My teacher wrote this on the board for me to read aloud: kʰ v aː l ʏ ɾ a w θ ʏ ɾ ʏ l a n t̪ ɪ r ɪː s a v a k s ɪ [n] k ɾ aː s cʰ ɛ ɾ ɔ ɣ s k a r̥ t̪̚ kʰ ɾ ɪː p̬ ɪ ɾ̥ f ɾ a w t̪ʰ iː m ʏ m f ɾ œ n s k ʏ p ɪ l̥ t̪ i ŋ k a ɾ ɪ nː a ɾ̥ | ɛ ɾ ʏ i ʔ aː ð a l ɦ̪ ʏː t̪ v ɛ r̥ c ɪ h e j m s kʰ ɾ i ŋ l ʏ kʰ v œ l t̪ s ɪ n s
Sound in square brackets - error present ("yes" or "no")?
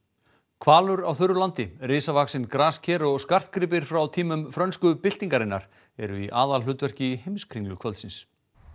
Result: no